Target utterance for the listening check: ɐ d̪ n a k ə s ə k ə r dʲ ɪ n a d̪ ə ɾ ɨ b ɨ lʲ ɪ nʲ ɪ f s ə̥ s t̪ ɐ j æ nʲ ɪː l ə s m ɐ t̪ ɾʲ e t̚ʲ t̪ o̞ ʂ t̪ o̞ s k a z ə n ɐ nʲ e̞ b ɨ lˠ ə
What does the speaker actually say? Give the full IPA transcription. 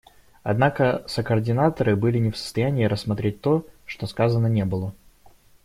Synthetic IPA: ɐ d̪ n a k ə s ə k ə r dʲ ɪ n a t̪ ə ɾ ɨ b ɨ lʲ ɪ nʲ ɪ f s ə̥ s t̪ ɐ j æ nʲ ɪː ɾ ə s m ɐ t̪ ɾʲ e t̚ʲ t̪ o̞ ʂ t̪ o̞ s k a z ə n ə nʲ e̞ b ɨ lˠ ə